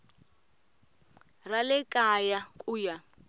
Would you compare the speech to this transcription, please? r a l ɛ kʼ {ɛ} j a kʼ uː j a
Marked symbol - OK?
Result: no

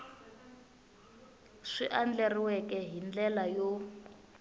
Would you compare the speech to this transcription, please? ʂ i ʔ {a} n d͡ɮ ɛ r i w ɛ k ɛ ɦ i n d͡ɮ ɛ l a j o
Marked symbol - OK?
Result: yes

